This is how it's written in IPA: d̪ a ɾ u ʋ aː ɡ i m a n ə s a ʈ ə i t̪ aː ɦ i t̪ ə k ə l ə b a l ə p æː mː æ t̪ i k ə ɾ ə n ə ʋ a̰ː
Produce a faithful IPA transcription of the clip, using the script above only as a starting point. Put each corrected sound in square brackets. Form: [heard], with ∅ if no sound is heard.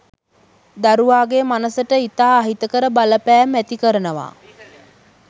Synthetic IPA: d̪ a ɾ u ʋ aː ɡ [e] m a n ə s [ə] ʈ ə i t̪ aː ɦ i t̪ ə k ə [ɾ] ə b a l ə p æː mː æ t̪ i k ə ɾ ə n ə ʋ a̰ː